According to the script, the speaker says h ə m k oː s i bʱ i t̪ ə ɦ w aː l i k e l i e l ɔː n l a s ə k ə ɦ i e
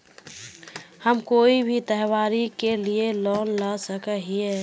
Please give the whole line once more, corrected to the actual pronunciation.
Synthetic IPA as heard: h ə m k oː i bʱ i t̪ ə ɦ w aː ɾ i k e l i e l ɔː n l a s ə k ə ɦ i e

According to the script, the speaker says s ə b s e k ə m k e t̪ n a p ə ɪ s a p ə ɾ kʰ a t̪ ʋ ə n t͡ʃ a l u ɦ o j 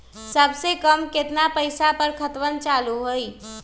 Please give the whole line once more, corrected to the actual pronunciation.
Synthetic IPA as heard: s ə b s e k ə m k e t̪ n a p ə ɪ s a p ə ɾ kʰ ə t̪ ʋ ə n t͡ʃ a l u ɦ o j

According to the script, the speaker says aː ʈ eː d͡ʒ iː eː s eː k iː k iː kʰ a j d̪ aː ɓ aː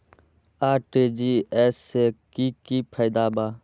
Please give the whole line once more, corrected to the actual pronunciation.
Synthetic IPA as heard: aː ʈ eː d͡ʒ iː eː s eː k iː k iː pʰ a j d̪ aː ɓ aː

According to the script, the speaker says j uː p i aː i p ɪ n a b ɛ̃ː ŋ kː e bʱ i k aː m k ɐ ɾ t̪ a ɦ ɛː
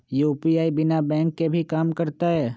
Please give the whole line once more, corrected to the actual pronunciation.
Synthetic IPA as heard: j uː p i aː i b ɪ n a b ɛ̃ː ŋ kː e bʱ i k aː m k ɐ ɾ t̪ a ɦ ɛː

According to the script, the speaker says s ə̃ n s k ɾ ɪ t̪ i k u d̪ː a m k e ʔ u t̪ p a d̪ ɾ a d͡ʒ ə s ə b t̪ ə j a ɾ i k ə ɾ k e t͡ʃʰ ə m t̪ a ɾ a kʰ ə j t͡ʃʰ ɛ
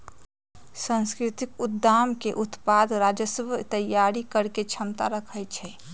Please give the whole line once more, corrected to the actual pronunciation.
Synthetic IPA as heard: s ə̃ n s k ɾ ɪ t̪ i k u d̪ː a m k e ʔ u t̪ p a d̪ ɾ a d͡ʒ ə s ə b t̪ ə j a ɾ i k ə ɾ k e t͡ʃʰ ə m t̪ a ɾ ə kʰ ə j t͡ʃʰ ɛ

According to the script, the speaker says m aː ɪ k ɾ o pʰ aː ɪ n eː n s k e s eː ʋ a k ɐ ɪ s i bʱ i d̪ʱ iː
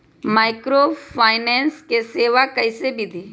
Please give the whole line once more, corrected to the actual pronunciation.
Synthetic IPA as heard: m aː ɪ k ɾ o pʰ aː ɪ n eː n s k e s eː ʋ a k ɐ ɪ s e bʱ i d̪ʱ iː

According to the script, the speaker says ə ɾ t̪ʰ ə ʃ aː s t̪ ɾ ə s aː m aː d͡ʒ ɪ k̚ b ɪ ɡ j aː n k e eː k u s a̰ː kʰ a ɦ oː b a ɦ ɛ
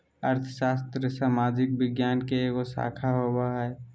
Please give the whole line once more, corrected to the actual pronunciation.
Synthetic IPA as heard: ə ɾ t̪ʰ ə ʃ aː s t̪ ɾ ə s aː m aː d͡ʒ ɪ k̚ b ɪ ɡ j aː n k e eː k o s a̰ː kʰ a ɦ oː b a ɦ ɛ

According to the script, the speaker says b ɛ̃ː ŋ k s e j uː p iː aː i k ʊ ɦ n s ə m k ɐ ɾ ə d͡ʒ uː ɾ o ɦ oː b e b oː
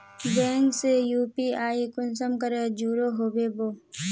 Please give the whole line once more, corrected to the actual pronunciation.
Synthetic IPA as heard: b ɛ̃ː ŋ k s e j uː p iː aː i k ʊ n s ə m k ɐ ɾ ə d͡ʒ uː ɾ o ɦ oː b e b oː

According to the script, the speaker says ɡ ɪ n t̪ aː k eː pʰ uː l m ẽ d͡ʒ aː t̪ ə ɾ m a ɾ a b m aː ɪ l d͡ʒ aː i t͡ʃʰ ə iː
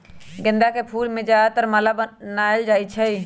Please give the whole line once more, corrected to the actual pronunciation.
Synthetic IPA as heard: ɡ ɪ n d̪ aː k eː pʰ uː l m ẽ d͡ʒ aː t̪ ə ɾ m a l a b n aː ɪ l d͡ʒ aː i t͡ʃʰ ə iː

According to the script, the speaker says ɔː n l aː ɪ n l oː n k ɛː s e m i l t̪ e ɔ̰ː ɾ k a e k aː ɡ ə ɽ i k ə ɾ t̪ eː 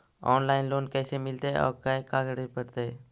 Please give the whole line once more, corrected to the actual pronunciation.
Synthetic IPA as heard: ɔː n l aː ɪ n l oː n k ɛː s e m ɪ l t̪ e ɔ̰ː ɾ k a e k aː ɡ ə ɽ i p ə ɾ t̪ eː

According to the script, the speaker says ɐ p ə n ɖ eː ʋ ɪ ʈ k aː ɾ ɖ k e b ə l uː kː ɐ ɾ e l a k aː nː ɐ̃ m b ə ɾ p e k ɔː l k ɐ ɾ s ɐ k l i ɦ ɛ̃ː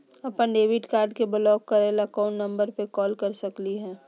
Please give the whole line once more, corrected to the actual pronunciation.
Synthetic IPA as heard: ɐ p ə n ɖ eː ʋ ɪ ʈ k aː ɾ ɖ k e b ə l ɔː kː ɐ ɾ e l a k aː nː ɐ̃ m b ə ɾ p e k ɔː l k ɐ ɾ s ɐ k l i ɦ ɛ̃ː

